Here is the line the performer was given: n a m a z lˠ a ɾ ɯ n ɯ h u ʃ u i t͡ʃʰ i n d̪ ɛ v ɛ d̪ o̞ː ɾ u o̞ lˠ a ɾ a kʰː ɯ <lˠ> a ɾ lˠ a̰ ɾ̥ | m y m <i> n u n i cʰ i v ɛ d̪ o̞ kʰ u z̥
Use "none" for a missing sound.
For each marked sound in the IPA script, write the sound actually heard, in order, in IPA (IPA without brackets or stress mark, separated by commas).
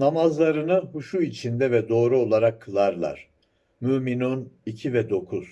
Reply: lˠ, i